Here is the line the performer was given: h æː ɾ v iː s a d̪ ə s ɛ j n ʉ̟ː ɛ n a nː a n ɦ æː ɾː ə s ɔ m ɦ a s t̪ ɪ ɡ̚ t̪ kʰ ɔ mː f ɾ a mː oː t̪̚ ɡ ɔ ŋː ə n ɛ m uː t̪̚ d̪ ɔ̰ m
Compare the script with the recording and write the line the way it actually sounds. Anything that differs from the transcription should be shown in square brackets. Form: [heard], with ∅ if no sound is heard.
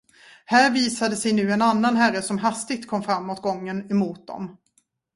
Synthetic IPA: h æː ɾ v iː s a d̪ ə s ɛ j n ʉ̟ː ɛ n a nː a n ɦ [æ] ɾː ə s ɔ m ɦ a s t̪ ɪ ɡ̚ t̪ kʰ ɔ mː f ɾ a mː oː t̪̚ ɡ ɔ ŋː ə n ɛ m uː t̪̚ d̪ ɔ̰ m